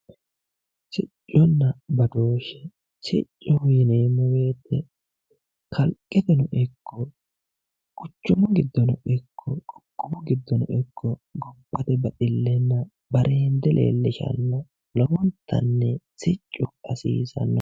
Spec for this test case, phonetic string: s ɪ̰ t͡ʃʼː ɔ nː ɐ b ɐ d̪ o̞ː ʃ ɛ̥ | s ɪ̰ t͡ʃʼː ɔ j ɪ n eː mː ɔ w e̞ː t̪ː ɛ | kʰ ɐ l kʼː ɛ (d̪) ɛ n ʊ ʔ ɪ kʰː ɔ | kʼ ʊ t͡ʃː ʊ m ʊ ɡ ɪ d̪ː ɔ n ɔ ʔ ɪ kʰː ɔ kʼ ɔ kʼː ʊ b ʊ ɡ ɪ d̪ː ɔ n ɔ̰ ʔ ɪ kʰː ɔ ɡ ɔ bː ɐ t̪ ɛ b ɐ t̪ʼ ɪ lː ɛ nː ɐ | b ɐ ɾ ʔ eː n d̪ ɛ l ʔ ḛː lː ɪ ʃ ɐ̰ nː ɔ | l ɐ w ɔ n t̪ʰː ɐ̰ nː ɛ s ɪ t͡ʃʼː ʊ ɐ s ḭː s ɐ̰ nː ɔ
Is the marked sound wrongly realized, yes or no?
yes